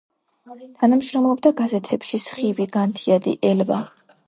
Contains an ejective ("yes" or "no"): no